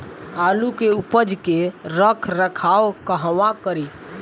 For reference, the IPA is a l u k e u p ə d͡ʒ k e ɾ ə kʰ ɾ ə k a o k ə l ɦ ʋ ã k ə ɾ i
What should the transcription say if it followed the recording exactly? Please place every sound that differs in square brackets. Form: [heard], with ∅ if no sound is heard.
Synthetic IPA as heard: a l u k e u p ə d͡ʒ k e ɾ ə kʰ ɾ ə [kʰ] a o k ə [∅] ɦ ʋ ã k ə ɾ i